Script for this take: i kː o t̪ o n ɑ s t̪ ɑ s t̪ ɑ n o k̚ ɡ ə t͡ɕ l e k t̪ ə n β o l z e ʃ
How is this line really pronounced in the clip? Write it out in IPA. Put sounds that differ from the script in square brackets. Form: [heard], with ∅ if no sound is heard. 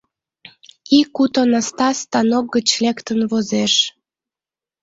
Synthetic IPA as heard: i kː [u] t̪ o n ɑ s t̪ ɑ s t̪ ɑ n o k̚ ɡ ə t͡ɕ l e k t̪ ə n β o [∅] z e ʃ